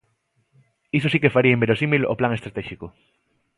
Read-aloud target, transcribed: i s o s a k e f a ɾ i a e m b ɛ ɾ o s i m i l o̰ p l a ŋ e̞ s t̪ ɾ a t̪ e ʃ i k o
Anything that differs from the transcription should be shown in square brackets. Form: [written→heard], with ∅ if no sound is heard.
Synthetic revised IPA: i s o s [a→i] k e f a ɾ i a e m b [ɛ→e] ɾ o s i m i l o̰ p l a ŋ e̞ s t̪ ɾ a t̪ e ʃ i k o